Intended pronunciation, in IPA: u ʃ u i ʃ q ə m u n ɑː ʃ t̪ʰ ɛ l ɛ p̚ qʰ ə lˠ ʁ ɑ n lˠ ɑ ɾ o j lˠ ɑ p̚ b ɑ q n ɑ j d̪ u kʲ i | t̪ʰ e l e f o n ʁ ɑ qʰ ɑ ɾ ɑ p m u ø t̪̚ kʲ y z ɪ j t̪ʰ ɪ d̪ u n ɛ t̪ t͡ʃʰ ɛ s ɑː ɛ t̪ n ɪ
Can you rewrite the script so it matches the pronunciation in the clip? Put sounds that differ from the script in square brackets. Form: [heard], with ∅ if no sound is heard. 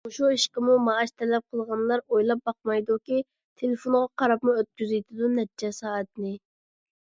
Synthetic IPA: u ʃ u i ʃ q ə m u [m] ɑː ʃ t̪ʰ ɛ l ɛ p̚ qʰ ə lˠ ʁ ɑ n lˠ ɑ ɾ o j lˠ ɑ p̚ b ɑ q [m] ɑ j d̪ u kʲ i | t̪ʰ e l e f o n ʁ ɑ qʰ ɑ ɾ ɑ p m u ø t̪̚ kʲ y z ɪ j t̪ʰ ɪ d̪ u n ɛ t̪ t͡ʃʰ ɛ s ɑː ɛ t̪ n ɪ